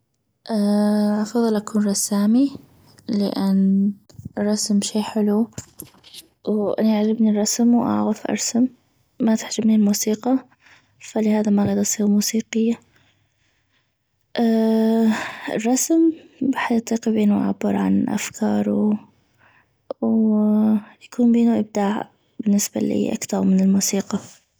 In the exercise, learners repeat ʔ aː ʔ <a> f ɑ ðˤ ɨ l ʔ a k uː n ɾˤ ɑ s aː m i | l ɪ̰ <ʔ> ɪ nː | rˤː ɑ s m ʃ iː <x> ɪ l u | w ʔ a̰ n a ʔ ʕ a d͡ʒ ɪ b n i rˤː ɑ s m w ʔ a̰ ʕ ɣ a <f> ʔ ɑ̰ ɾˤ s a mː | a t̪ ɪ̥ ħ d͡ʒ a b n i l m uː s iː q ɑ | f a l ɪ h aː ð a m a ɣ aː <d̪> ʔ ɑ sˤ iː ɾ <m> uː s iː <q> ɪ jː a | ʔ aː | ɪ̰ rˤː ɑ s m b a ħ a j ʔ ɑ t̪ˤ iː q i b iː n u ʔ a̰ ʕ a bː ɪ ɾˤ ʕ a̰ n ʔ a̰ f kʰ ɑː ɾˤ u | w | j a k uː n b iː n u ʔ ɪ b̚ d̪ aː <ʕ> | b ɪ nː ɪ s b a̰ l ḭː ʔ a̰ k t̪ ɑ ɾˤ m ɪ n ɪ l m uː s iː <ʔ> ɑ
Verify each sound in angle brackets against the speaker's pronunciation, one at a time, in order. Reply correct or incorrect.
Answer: incorrect: ɑ, correct, incorrect: ħ, correct, correct, correct, correct, correct, incorrect: q

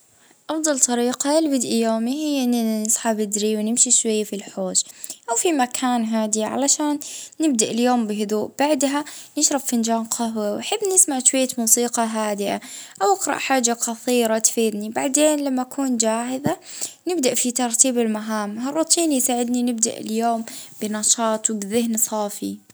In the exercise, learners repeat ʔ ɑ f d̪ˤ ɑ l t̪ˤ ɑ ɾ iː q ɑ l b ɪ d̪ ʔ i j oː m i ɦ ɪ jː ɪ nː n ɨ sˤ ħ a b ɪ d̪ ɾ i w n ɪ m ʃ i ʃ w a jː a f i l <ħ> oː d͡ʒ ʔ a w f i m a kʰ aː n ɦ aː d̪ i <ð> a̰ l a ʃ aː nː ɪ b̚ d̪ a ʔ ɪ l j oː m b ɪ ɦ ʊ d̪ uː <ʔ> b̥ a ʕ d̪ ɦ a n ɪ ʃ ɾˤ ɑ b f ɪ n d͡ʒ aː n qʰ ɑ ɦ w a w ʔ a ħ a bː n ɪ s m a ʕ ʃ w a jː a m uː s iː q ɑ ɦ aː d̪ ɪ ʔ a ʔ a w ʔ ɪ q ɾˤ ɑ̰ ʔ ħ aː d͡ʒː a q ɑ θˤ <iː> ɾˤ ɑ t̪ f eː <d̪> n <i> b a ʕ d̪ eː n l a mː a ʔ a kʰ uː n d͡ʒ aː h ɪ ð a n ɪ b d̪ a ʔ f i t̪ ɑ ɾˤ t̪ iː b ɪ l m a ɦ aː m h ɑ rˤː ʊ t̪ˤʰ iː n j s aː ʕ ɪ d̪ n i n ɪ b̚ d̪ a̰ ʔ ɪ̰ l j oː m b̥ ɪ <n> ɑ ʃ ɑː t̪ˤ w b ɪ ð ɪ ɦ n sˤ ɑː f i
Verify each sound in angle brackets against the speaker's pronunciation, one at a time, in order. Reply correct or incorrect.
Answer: correct, incorrect: ʕ, correct, correct, correct, correct, correct

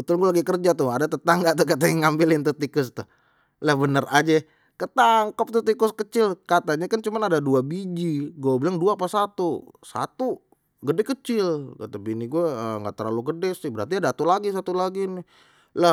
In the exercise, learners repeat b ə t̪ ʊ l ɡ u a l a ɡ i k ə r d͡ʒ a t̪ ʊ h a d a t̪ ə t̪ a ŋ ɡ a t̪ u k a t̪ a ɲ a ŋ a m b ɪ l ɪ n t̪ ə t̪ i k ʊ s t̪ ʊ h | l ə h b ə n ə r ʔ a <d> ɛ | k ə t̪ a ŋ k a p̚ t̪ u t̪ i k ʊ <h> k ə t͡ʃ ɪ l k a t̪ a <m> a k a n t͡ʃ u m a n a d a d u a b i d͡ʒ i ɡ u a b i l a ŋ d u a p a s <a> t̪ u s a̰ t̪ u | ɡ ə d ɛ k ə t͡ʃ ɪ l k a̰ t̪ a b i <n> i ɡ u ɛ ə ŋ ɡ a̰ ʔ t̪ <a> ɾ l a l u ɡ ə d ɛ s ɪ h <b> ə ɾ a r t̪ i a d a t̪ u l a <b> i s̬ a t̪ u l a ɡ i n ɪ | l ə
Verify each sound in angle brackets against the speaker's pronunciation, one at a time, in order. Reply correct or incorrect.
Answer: incorrect: d͡ʒ, incorrect: s, incorrect: ɲ, correct, correct, incorrect: ə, correct, incorrect: ɡ

